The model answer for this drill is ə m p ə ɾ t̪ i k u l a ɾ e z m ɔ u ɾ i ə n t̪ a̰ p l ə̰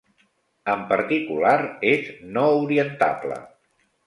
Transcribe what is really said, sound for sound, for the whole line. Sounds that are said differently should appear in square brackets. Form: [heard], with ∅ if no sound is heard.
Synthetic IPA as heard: ə m p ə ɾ t̪ i k u l a ɾ e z [n] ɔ u ɾ i ə n t̪ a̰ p l ə̰